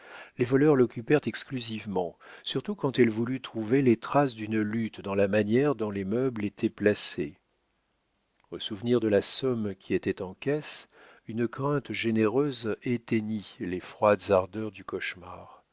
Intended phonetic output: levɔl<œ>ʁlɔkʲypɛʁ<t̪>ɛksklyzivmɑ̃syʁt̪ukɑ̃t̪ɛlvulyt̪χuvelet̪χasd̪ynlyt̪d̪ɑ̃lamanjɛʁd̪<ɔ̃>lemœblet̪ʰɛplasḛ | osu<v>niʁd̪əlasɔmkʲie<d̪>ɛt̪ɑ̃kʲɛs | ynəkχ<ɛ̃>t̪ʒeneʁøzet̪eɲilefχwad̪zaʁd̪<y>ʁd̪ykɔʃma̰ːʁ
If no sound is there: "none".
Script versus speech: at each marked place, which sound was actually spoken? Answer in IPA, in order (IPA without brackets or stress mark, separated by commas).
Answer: œ, t̪, ɔ̃, v, t̪, ɛ̃, œ